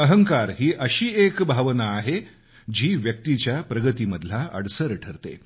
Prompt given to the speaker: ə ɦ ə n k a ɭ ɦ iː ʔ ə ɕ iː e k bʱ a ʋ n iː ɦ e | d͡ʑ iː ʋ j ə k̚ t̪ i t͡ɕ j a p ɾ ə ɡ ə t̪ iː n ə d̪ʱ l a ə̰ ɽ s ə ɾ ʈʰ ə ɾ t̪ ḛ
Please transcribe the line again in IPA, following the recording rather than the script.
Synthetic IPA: ə ɦ ə ŋ k a ɾ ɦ iː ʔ ə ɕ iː e k bʱ a ʋ n aː ɦ e | d͡ʑ iː ʋ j ə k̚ t̪ i t͡ɕ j a p ɾ ə ɡ ə t̪ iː m ə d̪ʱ l a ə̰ ɽ s ə ɾ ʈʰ ə ɾ t̪ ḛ